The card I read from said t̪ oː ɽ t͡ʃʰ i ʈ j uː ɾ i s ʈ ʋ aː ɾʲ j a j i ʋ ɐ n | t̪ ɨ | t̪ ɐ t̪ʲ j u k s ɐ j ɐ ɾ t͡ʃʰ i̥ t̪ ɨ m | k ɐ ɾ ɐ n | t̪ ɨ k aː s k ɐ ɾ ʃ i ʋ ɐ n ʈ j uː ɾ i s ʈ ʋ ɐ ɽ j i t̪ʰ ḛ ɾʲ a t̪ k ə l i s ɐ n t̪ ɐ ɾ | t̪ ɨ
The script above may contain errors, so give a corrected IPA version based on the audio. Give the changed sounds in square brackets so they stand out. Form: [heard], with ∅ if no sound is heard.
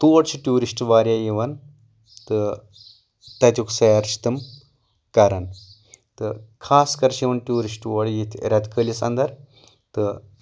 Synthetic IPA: t̪ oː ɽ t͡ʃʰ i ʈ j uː ɾ i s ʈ ʋ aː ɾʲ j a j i ʋ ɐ n | t̪ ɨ | t̪ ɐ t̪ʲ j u k s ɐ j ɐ ɾ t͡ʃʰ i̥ t̪ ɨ m | k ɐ ɾ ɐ n | t̪ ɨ [kʰ] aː s k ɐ ɾ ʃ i ʋ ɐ n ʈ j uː ɾ i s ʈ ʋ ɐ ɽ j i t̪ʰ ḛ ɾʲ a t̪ k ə l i s ɐ n [d̪] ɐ ɾ | t̪ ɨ